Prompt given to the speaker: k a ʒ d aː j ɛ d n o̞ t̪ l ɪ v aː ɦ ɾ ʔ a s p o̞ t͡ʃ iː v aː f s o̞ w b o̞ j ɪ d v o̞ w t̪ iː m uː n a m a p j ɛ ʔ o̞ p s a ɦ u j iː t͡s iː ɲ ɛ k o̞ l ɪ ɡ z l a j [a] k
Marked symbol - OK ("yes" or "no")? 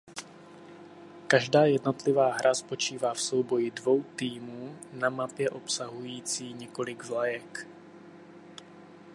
no